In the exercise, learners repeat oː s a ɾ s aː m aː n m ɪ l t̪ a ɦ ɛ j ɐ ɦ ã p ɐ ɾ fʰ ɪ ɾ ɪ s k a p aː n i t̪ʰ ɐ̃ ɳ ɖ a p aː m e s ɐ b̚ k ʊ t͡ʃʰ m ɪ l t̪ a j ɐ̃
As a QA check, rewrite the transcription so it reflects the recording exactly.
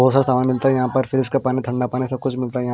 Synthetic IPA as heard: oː s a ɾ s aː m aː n m ɪ l t̪ a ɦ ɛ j ɐ ɦ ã p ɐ ɾ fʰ ɪ ɾ ɪ s k a p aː n i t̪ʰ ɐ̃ ɳ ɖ a p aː n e s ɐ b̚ k ʊ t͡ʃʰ m ɪ l t̪ a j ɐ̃